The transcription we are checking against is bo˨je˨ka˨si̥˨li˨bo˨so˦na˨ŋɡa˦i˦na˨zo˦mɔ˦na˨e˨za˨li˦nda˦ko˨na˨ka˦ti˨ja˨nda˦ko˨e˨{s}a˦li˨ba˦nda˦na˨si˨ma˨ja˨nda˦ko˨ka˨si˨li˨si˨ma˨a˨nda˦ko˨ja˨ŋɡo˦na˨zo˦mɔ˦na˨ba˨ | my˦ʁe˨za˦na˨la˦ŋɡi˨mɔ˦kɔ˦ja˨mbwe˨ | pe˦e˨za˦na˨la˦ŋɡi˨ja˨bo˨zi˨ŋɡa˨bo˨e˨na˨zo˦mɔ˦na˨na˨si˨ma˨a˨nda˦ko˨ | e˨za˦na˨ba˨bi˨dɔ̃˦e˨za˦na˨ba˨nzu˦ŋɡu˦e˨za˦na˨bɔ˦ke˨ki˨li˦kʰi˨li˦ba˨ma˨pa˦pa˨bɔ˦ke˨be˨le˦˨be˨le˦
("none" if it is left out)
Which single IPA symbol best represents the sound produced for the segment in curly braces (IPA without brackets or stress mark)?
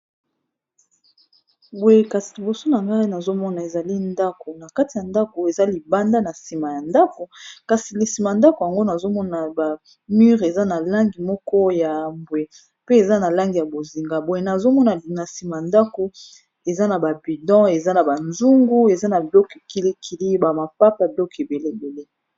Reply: z